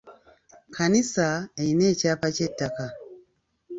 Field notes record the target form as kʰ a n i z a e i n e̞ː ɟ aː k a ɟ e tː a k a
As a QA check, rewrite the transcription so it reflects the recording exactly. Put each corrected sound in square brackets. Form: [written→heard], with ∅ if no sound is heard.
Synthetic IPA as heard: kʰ a n i [z→s] a e i n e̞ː [ɟ→c] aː [k→p] a [ɟ→c] e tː a k a